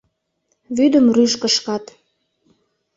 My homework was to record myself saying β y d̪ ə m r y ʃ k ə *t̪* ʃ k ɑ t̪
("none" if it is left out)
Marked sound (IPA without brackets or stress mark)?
none